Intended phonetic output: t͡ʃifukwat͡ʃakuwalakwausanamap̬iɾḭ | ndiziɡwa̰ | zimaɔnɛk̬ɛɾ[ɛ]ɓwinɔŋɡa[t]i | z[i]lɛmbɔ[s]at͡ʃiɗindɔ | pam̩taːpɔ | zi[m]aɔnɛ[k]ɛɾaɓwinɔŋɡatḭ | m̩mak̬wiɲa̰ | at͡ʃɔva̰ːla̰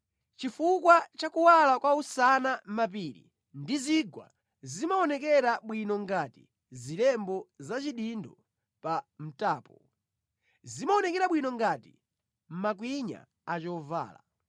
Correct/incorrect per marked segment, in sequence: incorrect, correct, correct, incorrect, correct, correct

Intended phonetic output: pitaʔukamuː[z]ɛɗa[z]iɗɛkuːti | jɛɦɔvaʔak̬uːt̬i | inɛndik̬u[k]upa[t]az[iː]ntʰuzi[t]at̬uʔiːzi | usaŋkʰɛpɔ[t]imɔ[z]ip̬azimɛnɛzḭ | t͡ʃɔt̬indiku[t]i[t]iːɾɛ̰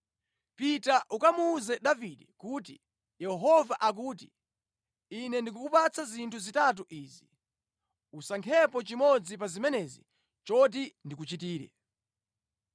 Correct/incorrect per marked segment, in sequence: correct, incorrect, correct, incorrect, incorrect, correct, incorrect, incorrect, incorrect, correct

